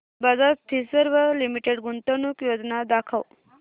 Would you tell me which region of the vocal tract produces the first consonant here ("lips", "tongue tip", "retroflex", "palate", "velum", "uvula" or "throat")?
lips